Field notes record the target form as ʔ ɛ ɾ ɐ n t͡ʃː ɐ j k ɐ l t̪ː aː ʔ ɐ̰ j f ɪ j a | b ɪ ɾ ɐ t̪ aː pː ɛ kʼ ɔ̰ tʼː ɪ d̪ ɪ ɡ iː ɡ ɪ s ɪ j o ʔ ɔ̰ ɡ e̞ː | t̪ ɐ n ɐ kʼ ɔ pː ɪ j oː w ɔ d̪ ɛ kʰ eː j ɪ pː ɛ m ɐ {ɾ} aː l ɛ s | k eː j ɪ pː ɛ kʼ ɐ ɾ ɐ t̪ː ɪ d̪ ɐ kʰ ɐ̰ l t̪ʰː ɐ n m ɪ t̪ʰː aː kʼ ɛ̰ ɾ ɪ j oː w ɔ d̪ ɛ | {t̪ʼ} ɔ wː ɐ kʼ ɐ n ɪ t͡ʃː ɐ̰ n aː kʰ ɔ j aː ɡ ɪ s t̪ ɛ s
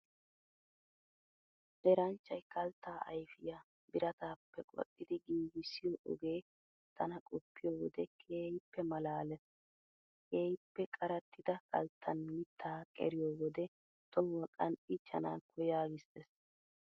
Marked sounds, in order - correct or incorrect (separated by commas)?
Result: incorrect, incorrect